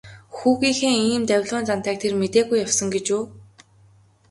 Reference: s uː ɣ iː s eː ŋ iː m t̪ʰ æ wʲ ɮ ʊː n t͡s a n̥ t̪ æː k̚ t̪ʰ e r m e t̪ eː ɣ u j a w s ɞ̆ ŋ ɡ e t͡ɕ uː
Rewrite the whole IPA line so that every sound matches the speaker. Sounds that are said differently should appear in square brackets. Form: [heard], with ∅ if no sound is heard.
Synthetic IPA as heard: [x] uː ɣ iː [x] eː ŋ iː m [t̪] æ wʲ ɮ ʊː n t͡s a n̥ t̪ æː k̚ t̪ʰ e r m e t̪ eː ɣ u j a w s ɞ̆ ŋ ɡ e t͡ɕ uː